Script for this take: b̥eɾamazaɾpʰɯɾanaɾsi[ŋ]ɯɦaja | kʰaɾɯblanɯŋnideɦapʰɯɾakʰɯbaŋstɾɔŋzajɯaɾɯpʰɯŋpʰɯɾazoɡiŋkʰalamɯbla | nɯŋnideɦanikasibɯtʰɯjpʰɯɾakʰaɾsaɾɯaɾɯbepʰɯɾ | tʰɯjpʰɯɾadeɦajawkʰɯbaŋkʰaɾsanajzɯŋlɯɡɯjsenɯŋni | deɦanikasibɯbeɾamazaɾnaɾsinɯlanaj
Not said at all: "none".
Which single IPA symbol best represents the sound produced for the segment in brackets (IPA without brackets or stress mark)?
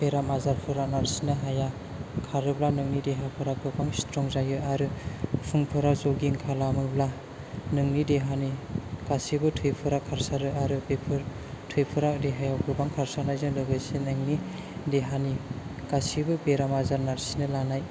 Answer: n